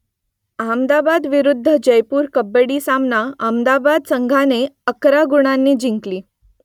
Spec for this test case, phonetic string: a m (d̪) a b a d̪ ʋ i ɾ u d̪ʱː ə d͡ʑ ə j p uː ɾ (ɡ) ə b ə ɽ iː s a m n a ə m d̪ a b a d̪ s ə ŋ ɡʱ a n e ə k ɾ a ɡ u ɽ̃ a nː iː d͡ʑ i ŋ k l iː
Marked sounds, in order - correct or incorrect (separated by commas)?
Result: correct, incorrect